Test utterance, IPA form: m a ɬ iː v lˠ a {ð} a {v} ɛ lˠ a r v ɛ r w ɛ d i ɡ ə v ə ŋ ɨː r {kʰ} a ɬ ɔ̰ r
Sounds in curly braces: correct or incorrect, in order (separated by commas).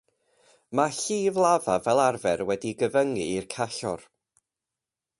incorrect, correct, correct